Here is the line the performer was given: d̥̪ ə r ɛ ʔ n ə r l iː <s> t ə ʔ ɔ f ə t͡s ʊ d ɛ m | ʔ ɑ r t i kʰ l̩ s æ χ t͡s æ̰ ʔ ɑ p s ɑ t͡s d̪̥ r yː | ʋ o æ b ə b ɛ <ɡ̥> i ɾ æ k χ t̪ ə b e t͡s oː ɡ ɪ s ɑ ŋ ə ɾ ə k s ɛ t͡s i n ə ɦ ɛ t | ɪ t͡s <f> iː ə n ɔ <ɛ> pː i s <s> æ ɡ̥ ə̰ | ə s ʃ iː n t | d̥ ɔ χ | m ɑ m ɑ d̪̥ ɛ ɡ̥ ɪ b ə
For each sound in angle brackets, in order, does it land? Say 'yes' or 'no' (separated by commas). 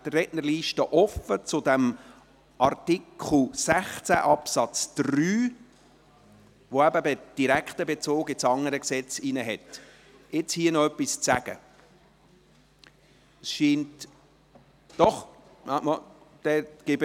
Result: no, no, no, no, no